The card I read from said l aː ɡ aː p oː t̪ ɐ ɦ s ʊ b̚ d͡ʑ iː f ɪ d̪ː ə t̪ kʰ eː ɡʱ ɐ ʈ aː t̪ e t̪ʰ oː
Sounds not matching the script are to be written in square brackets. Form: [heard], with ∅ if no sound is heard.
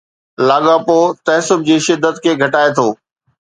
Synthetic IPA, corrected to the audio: l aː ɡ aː p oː t̪ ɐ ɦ s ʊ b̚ d͡ʑ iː [ʃ] ɪ d̪ː ə t̪ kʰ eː ɡʱ ɐ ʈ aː [∅] e t̪ʰ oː